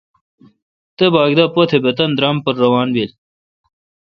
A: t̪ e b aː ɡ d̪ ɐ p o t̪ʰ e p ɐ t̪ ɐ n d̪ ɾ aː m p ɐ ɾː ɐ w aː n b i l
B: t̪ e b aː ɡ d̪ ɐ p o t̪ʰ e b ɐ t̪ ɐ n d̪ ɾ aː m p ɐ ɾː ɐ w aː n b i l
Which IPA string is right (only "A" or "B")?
B